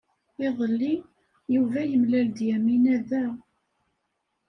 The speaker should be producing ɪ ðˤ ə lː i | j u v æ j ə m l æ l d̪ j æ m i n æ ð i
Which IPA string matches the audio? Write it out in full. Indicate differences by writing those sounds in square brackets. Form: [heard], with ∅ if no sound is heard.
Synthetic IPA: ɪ ðˤ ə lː i | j u v æ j ə m l æ l d̪ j æ m i n æ ð [æ]

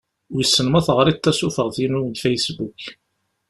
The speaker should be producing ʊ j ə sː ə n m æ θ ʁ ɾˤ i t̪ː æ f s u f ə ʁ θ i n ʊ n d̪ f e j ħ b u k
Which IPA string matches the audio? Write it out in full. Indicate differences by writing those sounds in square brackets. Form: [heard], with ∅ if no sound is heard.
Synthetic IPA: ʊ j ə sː ə n m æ θ ʁ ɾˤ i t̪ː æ [∅] s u f ə ʁ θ i n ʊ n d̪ f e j [s] b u k

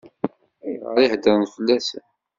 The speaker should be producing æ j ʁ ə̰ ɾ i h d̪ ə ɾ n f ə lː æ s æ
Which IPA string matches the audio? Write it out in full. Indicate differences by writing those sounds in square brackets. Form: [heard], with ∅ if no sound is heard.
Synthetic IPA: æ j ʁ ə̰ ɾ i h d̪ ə ɾ n f ə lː æ s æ

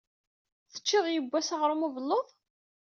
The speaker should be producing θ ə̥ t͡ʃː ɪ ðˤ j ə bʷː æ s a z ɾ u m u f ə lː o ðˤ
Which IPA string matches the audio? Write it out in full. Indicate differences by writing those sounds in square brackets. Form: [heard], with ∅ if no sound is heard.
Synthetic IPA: θ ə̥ t͡ʃː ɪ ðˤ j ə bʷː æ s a [ʁ] ɾ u m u [v] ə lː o ðˤ

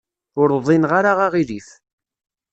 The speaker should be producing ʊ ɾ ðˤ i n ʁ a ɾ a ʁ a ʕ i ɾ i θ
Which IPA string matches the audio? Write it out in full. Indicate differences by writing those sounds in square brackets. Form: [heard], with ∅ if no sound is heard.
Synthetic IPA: ʊ ɾ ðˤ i n ʁ a ɾ a ʁ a [ʁ] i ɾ i θ

